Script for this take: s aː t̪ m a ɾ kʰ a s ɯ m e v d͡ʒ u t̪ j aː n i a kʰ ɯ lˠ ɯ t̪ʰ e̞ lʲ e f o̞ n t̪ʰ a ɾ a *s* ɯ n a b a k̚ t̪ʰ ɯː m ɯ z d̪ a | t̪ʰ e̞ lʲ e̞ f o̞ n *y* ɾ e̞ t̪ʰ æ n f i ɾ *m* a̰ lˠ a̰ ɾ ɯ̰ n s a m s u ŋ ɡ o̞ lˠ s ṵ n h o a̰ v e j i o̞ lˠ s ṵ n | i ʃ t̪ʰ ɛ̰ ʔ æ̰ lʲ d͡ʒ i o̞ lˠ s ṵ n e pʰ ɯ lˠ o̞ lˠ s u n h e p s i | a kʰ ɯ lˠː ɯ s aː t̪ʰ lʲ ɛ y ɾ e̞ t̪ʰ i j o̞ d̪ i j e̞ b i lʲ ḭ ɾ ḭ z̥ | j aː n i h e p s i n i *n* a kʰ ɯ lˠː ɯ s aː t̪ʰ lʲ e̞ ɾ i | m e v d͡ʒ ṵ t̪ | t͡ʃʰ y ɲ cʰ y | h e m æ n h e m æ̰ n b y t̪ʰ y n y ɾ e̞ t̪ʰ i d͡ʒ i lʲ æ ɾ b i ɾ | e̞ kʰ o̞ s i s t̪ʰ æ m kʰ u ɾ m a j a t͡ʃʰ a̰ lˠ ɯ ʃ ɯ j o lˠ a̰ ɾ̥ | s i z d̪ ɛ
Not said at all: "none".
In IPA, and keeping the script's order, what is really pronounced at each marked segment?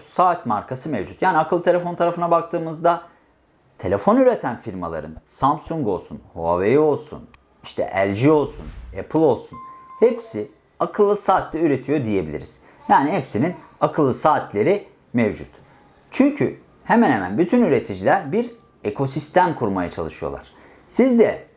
f, y, m, n

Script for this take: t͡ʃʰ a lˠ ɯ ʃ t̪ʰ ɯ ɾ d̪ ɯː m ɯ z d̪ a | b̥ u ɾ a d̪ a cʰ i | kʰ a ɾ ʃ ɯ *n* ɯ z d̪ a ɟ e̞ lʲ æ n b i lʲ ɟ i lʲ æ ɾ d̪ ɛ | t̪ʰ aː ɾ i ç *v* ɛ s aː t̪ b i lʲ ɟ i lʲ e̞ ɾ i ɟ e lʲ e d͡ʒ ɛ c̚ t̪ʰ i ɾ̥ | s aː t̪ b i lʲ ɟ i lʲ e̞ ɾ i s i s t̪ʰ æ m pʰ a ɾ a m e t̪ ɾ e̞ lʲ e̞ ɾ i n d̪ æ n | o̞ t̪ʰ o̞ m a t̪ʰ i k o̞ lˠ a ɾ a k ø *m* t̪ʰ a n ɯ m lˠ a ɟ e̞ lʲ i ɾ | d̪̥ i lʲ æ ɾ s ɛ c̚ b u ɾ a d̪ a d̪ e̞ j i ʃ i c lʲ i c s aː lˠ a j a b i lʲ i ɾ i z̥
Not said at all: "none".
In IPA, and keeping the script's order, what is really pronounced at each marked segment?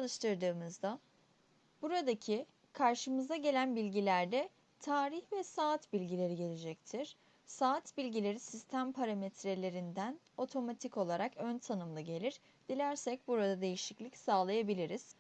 m, v, n

